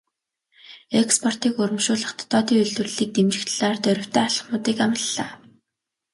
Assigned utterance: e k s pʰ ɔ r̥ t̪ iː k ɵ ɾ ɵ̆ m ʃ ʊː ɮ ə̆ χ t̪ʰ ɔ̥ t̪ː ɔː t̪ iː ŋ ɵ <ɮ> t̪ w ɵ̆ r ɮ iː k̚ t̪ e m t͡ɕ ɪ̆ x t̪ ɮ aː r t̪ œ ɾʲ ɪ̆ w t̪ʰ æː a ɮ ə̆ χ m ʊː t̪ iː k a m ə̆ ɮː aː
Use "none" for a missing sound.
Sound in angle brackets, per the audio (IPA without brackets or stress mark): ɮ